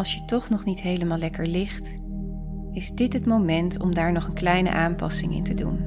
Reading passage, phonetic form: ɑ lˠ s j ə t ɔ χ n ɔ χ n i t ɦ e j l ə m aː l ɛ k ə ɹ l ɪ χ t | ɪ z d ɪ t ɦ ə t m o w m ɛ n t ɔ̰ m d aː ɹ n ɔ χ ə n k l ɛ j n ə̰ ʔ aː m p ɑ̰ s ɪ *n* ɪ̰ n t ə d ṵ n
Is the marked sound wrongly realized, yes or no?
yes